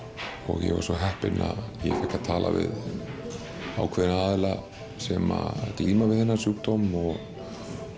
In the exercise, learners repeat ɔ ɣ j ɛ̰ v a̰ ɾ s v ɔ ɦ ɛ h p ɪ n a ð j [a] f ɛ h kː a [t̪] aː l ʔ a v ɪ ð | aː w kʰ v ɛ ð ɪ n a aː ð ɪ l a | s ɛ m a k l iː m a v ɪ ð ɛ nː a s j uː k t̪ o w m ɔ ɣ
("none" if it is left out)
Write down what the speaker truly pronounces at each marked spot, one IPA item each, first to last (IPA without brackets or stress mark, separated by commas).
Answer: ɛ, t̪ʰ